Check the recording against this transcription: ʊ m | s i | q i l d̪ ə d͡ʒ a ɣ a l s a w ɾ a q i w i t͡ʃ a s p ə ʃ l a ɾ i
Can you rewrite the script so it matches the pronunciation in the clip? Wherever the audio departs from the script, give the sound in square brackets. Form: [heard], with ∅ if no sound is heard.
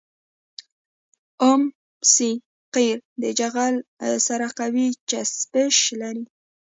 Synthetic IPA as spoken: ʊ m | s i | q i [ɾ] d̪ ə d͡ʒ a ɣ a l s a [∅] ɾ a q [a] w i t͡ʃ a s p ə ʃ l a ɾ i